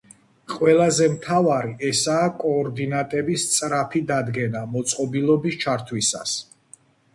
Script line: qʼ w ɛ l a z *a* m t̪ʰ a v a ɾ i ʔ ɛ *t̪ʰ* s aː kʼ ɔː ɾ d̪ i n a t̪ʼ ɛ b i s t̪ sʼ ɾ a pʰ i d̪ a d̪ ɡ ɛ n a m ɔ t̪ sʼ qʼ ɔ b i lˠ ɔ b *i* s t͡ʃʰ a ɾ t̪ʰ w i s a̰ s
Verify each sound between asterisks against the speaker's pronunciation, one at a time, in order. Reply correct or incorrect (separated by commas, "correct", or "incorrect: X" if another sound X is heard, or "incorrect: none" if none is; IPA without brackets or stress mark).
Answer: incorrect: ɛ, incorrect: none, correct